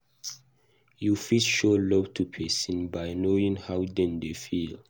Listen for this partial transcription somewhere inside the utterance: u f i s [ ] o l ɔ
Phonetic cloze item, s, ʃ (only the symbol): ʃ